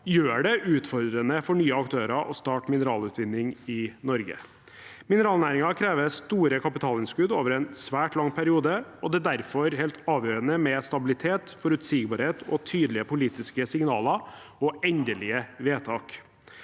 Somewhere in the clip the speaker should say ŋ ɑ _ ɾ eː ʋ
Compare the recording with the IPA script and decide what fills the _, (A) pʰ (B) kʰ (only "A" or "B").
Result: B